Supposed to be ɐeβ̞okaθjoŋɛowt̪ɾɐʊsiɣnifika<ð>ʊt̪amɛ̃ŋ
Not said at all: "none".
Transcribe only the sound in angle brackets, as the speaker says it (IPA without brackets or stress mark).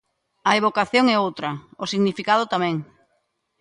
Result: ð